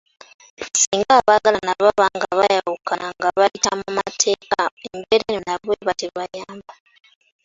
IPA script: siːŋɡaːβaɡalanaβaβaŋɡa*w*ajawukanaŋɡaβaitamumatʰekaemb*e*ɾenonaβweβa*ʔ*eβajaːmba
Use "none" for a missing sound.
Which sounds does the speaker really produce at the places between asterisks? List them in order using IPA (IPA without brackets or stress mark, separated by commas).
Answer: β, e, t